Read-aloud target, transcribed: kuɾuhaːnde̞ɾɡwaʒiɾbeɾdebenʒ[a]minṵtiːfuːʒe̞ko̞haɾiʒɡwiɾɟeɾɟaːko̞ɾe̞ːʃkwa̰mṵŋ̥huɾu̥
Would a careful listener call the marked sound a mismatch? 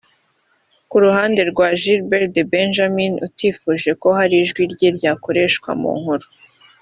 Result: no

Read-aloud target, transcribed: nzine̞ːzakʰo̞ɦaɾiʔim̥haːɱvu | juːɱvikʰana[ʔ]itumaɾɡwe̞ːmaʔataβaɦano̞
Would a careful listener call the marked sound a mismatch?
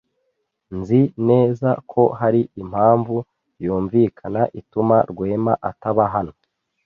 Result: no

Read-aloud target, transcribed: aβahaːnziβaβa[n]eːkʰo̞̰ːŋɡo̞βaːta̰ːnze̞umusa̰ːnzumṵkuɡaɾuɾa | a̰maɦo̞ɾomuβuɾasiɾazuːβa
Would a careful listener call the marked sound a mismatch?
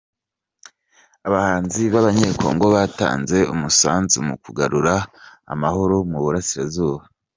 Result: yes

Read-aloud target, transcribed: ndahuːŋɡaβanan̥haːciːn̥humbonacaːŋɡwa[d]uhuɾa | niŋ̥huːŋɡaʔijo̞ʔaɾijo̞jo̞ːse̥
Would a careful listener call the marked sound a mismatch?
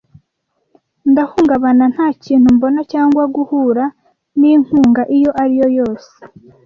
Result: yes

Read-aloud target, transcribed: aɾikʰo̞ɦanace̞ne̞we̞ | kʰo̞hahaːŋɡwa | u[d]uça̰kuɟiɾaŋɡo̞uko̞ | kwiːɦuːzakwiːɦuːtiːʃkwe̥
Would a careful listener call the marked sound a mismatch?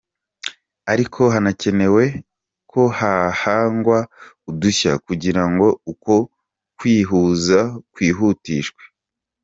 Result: no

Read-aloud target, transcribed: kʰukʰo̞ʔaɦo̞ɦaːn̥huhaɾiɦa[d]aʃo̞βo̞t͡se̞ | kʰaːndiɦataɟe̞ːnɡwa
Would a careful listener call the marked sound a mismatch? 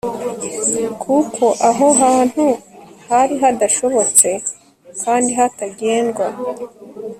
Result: no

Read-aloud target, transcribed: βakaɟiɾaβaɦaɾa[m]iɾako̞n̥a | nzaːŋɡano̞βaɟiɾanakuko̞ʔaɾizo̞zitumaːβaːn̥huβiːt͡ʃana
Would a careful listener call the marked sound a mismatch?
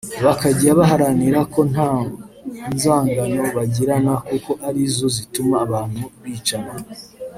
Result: yes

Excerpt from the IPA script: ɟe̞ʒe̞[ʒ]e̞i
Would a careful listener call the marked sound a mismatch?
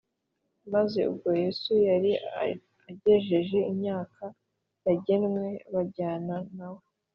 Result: no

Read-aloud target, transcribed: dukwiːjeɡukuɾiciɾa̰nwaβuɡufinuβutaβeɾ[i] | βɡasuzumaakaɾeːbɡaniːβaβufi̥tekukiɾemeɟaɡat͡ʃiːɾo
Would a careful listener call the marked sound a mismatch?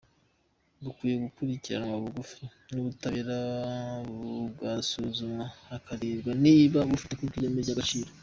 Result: yes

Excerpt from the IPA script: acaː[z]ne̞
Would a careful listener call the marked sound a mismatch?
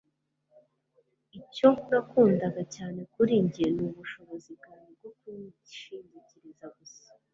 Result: yes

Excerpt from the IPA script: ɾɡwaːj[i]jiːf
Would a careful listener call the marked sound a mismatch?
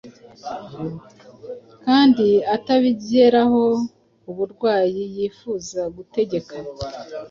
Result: no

